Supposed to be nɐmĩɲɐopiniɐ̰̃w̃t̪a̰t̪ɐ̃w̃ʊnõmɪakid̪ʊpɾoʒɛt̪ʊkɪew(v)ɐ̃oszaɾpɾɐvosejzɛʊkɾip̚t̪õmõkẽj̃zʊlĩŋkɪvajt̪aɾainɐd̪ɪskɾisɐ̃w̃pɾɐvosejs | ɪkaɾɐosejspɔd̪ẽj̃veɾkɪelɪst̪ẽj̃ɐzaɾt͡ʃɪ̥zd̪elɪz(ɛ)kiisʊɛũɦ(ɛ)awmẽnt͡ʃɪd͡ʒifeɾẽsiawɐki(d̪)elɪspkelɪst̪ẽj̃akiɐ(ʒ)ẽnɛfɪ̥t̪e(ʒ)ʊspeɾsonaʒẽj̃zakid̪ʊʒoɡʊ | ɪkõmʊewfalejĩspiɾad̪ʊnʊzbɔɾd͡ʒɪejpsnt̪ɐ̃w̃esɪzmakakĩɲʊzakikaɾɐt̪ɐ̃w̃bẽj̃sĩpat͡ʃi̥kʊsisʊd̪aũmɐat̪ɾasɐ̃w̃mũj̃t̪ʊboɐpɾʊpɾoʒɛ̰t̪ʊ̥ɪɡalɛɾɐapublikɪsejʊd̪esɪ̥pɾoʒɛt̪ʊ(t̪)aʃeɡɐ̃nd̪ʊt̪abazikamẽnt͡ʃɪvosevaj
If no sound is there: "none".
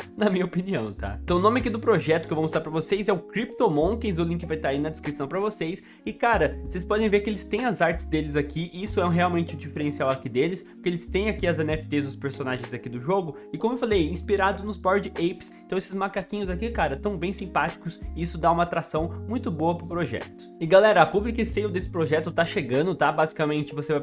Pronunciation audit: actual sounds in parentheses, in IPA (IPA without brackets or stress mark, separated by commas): v, a, e, d̪, z, z, t̪